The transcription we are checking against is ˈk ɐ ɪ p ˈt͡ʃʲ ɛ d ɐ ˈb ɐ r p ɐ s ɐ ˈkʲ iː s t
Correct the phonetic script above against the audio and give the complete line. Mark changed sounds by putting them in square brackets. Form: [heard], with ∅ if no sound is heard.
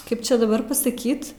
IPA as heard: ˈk ɐ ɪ p ˈt͡ʃʲ ɛ d ɐ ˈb ɐ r p ɐ s ɐ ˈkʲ iː [∅] t